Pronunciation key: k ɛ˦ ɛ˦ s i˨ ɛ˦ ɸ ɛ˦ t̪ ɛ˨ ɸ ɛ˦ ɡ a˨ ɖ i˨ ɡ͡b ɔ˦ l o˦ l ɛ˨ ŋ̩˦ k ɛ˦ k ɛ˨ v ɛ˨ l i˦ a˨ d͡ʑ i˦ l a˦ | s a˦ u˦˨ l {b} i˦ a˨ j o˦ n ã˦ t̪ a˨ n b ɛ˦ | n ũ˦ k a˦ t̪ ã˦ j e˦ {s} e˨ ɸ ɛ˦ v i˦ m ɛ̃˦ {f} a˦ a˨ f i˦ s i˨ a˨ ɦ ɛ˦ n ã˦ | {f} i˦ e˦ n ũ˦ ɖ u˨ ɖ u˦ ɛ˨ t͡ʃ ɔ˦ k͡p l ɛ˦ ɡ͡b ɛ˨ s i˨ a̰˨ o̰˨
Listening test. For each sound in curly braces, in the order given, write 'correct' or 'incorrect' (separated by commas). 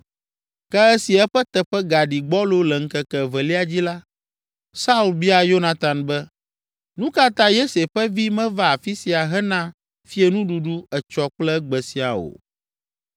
correct, correct, incorrect, correct